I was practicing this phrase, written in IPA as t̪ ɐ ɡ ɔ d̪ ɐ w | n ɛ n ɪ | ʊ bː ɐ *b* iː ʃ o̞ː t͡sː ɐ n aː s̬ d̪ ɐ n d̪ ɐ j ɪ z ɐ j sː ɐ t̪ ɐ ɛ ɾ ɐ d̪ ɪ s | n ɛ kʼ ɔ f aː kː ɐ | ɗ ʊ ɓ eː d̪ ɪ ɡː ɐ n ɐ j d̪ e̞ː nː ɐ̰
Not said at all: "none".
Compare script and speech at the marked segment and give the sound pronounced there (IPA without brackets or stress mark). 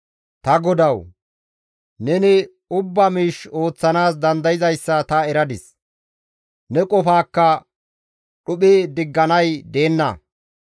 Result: m